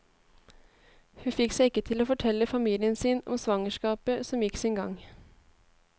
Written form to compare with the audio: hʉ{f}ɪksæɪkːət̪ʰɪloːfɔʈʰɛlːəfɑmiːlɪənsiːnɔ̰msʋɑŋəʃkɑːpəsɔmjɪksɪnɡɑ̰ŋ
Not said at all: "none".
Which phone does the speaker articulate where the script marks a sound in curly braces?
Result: f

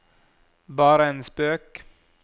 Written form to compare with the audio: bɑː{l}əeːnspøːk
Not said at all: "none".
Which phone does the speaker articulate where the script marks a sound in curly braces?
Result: ɾ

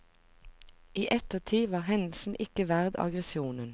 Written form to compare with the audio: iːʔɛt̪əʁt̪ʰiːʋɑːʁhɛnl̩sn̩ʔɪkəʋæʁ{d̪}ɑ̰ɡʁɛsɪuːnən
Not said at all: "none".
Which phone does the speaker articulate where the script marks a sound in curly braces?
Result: d̪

